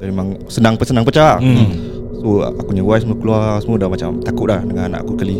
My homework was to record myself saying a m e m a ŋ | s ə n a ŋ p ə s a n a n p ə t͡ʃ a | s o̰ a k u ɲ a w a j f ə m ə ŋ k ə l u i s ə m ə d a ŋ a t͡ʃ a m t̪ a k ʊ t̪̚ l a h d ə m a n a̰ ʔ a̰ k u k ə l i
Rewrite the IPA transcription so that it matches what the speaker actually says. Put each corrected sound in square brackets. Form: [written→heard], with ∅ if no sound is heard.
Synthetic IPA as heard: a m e m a ŋ | s ə n a ŋ p ə s [a→ə] n a [n→ŋ] p ə t͡ʃ a | s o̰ a k u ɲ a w a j [f→s] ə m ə [ŋ→∅] k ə l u [i→a] s ə m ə d a [ŋ→m] a t͡ʃ a m t̪ a k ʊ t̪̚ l a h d ə [m→ŋ] a n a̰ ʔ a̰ k u k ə l i